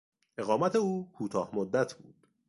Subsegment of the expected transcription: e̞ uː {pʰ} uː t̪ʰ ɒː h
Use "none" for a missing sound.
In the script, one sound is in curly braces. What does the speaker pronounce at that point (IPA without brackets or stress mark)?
kʰ